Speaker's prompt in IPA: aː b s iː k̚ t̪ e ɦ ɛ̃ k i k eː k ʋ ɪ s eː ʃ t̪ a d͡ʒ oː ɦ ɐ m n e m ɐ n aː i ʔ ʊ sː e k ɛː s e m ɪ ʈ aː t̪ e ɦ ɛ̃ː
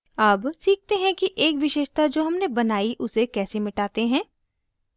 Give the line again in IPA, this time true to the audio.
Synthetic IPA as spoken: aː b s iː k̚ t̪ e ɦ ɛ̃ k i ʔ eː k ʋ ɪ ʃ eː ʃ t̪ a d͡ʒ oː ɦ ɐ m n e b ɐ n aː i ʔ ʊ s e k ɛː s e m ɪ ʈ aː t̪ e ɦ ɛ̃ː